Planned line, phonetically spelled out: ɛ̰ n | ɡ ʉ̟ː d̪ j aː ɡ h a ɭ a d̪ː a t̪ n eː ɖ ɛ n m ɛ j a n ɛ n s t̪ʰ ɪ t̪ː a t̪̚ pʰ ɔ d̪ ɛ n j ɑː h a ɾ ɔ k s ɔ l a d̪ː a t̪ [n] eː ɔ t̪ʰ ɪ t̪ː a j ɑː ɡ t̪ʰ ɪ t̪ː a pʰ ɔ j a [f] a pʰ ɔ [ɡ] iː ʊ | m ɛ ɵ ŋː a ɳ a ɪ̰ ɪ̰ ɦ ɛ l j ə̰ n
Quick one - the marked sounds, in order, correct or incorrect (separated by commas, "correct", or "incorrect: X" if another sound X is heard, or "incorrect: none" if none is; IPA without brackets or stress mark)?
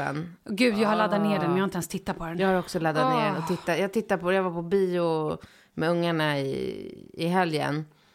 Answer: correct, incorrect: v, incorrect: b